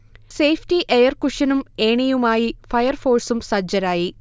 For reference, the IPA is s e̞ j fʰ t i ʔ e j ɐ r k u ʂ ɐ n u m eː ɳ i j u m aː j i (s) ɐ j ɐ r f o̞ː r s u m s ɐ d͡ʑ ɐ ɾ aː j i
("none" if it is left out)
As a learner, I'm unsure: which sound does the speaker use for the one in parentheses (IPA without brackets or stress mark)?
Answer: f